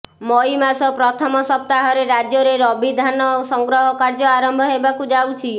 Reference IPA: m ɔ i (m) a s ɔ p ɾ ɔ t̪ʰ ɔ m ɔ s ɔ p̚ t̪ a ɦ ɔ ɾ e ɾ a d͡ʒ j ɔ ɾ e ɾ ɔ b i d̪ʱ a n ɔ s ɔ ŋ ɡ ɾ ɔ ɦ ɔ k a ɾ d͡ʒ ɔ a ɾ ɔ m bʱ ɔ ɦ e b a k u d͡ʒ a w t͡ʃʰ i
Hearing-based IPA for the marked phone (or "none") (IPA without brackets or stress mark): m